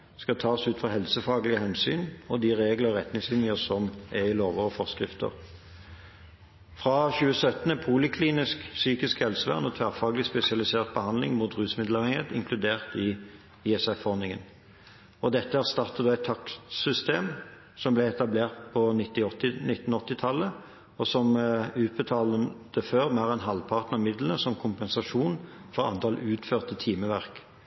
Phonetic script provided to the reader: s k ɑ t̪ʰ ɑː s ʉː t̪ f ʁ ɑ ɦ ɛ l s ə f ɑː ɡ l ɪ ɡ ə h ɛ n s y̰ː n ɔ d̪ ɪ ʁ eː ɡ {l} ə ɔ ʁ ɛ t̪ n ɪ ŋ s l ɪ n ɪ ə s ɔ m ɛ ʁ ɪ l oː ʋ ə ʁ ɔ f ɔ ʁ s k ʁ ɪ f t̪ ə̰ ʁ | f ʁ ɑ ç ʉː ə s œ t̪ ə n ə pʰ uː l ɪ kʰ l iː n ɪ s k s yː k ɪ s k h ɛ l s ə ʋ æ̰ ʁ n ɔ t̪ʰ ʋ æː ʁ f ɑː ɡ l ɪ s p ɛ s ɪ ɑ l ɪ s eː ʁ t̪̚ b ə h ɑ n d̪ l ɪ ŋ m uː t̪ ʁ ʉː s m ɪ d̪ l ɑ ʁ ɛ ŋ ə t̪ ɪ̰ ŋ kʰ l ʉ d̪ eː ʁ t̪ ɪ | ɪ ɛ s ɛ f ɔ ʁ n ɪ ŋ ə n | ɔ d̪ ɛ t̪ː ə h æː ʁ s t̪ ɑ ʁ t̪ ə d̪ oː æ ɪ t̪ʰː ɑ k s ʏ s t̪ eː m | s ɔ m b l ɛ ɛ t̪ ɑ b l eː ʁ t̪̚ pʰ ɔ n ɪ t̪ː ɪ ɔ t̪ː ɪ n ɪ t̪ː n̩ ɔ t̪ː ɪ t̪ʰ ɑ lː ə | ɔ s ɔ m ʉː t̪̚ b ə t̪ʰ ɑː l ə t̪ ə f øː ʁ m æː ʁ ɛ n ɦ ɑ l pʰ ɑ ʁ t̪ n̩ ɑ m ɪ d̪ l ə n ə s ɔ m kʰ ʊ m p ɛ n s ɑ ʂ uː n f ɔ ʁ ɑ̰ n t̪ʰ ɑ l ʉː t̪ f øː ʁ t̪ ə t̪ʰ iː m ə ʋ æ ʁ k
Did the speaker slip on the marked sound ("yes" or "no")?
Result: no